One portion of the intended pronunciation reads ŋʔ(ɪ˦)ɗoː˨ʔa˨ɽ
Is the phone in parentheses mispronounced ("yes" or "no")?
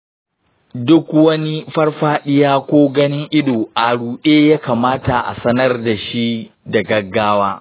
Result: no